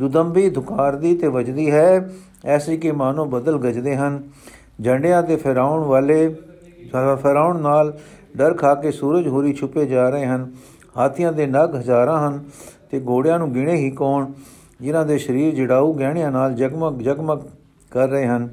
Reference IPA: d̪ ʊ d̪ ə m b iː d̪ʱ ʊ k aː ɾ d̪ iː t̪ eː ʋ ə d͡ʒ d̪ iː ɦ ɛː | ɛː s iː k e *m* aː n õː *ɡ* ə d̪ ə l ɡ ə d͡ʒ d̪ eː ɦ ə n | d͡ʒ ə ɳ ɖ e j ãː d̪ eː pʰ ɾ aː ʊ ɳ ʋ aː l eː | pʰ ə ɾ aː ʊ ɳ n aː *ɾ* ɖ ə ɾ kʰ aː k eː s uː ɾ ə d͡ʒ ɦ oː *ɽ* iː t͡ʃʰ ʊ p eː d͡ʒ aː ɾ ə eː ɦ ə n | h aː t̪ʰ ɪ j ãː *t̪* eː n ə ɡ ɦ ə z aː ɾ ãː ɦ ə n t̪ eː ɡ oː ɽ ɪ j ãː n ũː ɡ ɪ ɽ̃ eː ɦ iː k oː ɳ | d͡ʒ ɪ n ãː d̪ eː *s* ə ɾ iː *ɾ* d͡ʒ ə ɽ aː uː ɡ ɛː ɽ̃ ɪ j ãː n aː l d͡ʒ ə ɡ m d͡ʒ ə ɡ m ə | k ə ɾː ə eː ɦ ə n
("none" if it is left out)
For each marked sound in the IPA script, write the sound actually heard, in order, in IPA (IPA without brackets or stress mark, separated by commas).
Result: m, b, l, ɾ, d̪, ʃ, ɾ